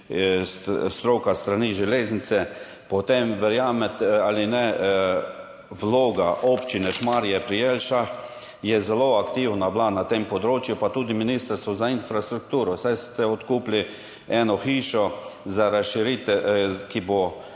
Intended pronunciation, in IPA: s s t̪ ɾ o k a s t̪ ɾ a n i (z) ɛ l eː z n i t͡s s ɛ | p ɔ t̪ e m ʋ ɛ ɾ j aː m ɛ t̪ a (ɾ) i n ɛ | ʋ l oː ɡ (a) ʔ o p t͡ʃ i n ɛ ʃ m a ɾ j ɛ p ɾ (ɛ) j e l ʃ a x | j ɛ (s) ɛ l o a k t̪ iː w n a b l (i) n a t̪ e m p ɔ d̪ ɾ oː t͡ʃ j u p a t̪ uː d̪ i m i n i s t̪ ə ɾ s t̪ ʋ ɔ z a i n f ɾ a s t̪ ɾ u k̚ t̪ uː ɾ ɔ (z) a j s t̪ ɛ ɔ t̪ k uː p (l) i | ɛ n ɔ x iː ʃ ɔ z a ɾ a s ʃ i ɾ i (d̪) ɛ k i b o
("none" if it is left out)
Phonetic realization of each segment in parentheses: ʒ, l, a, i, z, a, s, l, t̪

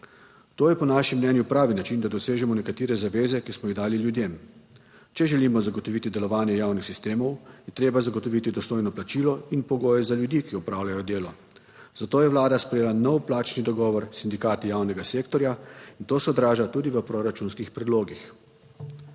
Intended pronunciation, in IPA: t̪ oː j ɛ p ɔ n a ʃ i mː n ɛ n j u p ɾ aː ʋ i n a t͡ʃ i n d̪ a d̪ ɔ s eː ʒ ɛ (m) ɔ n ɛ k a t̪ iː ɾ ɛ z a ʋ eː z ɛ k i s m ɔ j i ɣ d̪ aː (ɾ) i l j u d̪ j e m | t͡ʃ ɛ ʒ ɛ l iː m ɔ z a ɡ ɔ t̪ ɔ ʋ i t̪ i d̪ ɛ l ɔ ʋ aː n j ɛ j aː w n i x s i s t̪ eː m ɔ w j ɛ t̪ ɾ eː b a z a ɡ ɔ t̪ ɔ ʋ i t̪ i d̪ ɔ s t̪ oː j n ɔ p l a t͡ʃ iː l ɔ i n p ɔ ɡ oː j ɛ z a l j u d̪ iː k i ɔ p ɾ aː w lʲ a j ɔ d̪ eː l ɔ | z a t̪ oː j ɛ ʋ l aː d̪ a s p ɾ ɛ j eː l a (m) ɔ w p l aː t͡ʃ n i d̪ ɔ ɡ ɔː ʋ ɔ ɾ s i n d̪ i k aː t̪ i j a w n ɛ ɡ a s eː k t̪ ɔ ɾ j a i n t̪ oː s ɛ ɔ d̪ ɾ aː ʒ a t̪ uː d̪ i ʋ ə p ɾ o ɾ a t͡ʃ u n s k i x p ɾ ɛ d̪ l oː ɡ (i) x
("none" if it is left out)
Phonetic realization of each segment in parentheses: m, l, n, i

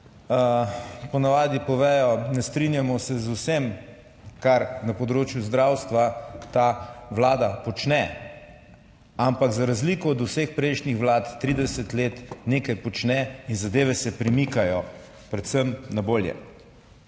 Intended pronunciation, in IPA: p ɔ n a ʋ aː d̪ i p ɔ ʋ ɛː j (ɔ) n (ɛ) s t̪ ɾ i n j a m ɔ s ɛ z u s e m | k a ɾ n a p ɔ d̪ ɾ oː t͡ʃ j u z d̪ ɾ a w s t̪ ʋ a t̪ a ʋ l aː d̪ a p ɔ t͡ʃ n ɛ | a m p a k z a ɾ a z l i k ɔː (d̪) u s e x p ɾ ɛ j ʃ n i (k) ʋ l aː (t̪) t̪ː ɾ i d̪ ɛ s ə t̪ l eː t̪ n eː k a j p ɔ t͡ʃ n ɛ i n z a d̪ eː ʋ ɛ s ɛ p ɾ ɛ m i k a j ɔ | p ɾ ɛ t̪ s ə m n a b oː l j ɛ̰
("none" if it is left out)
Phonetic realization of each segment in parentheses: ɔ, ɛ, d̪, x, t̪

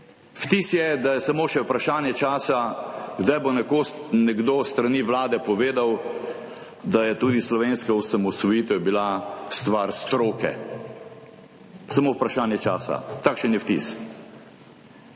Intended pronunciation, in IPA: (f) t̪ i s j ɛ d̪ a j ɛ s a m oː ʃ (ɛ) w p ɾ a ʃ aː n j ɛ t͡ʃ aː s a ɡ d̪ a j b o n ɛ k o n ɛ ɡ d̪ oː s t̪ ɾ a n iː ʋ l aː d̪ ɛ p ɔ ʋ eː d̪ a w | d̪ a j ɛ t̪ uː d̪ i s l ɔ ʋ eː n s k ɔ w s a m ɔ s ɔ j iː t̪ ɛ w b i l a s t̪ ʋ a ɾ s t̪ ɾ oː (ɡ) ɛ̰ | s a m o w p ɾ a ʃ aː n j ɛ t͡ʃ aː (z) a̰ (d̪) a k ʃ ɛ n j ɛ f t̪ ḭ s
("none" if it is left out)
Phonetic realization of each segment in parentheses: f, ɛ, k, s, t̪

